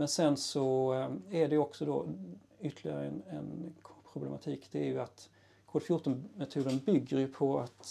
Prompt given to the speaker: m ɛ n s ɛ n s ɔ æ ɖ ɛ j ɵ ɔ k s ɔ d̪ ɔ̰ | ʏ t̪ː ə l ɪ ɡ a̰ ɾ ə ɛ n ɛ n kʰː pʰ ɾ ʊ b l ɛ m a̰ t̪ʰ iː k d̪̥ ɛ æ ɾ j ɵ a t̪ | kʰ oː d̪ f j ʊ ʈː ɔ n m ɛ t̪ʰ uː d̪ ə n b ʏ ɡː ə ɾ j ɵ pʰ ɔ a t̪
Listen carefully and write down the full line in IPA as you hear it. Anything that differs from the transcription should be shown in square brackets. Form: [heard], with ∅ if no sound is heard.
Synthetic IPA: m ɛ n s ɛ n s ɔ æ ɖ ɛ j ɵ ɔ k s ɔ d̪ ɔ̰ | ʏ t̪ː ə l ɪ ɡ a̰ ɾ ə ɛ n ɛ n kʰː pʰ ɾ ʊ b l ɛ m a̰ t̪ʰ iː k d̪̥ ɛ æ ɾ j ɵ a t̪ | kʰ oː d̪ f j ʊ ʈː ɔ n m ɛ t̪ʰ uː d̪ ə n b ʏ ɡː ə ɾ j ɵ pʰ ɔ a t̪